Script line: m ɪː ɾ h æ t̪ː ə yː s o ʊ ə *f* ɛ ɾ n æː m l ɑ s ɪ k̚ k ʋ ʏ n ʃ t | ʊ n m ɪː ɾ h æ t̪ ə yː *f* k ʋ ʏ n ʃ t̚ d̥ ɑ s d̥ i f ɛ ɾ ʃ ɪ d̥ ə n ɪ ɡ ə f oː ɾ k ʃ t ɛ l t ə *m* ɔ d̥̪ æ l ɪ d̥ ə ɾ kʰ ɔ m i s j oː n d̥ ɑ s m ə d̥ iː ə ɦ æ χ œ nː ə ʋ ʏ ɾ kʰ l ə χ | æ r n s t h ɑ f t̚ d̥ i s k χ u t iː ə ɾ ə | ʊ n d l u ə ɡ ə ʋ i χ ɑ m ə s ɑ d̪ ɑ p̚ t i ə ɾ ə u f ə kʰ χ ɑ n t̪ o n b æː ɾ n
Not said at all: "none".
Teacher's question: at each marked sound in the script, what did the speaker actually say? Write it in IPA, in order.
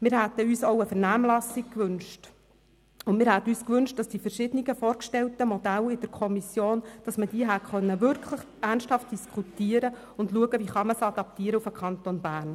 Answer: f, s, m

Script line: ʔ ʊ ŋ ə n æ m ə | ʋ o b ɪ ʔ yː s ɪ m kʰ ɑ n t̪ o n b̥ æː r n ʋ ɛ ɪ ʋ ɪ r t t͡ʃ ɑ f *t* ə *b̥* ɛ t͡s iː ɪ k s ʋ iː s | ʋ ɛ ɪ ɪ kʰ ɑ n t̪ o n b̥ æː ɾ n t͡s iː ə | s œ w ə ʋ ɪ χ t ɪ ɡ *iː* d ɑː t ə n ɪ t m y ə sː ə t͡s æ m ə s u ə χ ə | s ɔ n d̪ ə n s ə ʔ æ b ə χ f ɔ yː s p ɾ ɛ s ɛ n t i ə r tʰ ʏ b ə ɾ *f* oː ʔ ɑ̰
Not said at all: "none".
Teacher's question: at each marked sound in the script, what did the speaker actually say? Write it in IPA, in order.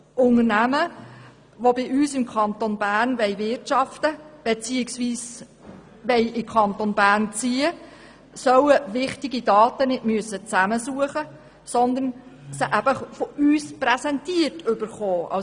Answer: t, b̥, i, χ

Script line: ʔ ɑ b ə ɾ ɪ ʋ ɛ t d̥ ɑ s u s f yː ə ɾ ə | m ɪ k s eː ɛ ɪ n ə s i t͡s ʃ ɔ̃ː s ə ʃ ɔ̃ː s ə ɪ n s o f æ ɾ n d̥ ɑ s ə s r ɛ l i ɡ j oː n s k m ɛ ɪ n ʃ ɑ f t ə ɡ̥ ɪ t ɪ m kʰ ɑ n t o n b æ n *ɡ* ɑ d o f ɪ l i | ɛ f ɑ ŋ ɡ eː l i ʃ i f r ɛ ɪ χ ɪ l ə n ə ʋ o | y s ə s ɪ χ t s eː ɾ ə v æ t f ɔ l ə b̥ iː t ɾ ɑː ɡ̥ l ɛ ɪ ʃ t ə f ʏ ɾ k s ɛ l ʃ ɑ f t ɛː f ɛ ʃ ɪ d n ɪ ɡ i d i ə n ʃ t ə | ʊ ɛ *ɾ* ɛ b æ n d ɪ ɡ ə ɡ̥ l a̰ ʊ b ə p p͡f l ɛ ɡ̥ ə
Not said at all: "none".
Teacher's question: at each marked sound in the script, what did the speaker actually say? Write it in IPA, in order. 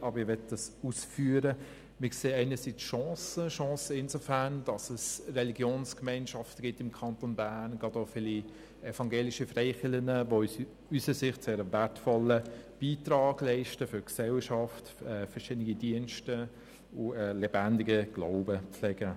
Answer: ɡ, l

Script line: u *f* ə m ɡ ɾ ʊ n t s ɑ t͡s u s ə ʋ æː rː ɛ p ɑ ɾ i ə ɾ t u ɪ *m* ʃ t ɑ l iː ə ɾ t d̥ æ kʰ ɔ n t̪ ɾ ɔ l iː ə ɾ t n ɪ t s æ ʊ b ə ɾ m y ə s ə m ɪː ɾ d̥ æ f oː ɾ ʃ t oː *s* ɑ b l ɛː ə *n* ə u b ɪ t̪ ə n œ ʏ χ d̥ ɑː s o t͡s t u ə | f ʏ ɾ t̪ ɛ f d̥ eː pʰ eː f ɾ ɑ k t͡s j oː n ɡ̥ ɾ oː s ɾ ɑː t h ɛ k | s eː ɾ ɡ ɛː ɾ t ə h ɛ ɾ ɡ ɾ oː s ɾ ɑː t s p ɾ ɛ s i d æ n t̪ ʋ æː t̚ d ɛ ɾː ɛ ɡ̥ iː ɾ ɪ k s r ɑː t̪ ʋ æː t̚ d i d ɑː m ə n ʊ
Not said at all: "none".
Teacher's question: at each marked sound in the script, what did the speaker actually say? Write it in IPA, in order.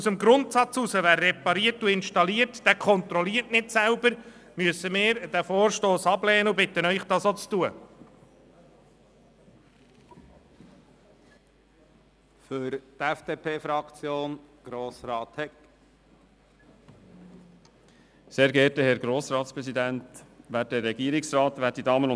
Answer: s, n, s, n

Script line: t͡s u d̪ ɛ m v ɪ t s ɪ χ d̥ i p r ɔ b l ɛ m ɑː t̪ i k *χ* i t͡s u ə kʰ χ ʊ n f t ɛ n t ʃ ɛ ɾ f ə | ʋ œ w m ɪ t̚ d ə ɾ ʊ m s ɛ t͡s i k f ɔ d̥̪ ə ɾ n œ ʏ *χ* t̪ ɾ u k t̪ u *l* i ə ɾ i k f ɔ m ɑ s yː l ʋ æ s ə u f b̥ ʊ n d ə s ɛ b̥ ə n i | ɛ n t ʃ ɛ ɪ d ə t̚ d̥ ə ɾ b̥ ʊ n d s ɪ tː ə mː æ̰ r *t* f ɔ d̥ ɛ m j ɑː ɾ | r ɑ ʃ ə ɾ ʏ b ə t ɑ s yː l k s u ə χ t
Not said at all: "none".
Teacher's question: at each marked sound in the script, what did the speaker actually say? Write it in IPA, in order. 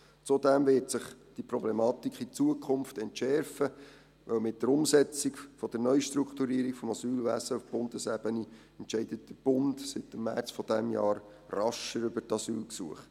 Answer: χ, ʃ, ɾ, t͡s

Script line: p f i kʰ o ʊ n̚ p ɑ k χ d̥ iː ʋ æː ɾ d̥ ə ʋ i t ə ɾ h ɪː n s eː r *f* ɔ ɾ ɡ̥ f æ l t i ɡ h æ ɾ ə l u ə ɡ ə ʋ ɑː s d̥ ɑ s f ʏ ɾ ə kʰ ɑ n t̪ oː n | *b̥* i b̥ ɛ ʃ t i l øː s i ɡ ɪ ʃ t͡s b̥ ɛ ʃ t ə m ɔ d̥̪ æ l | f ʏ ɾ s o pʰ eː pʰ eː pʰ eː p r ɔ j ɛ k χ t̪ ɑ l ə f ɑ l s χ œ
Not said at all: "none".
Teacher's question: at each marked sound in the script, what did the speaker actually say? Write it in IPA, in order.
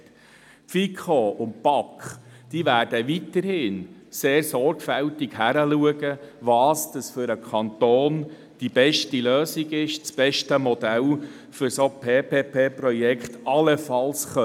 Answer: s, d̥

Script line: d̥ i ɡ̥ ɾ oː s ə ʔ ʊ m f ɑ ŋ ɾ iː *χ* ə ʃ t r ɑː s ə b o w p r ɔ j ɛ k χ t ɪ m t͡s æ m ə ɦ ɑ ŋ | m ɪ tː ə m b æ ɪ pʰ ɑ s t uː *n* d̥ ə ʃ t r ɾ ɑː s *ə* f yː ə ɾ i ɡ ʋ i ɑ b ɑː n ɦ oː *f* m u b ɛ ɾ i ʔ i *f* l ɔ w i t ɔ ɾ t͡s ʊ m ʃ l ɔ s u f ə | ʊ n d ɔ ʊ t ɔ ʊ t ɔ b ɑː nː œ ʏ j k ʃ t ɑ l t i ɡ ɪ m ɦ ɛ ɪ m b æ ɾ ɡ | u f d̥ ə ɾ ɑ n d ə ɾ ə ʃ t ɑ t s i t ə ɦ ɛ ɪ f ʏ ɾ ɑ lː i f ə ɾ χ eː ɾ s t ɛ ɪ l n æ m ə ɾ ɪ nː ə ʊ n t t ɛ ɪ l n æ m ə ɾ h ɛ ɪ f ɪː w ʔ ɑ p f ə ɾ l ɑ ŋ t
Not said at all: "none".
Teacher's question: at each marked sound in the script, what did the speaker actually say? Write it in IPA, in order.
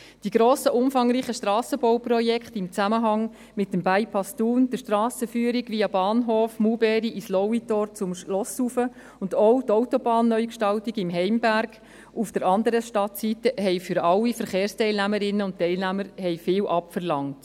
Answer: χ, n, ə, f, s

